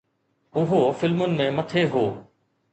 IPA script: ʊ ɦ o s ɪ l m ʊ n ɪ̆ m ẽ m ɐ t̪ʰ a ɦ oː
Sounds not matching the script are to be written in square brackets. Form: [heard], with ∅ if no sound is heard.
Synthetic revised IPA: ʊ ɦ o [f] ɪ l m ʊ n ɪ̆ m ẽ m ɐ t̪ʰ [e] ɦ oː